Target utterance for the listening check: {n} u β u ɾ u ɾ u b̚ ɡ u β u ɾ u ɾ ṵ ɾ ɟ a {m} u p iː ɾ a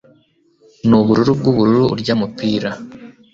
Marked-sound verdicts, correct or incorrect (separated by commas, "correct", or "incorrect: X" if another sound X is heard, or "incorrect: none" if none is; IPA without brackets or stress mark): correct, correct